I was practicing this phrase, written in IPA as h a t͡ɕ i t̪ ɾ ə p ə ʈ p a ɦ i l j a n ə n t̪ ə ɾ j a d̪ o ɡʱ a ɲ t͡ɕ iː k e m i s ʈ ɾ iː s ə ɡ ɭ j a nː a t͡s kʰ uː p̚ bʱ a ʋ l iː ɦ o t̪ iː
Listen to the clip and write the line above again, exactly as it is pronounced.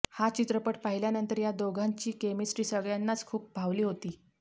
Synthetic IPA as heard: h a t͡ɕ i t̪ ɾ ə p ə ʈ p a ɦ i l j a n ə n t̪ ə ɾ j a d̪ o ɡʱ a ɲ t͡ɕ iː k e m i s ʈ ɾ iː s ə ɡ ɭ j a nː a t͡s kʰ uː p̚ bʱ a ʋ l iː ɦ o t̪ iː